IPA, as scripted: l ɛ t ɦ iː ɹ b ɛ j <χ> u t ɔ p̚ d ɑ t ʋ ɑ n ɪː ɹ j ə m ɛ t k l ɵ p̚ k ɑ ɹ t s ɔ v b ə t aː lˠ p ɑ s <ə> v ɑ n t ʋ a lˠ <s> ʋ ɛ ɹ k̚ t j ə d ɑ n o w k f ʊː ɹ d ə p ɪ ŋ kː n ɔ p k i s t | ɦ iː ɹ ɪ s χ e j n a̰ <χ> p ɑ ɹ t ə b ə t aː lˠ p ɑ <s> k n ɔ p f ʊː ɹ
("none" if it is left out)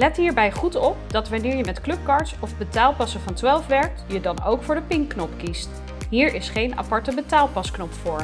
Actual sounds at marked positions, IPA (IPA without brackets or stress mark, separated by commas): χ, ə, f, none, s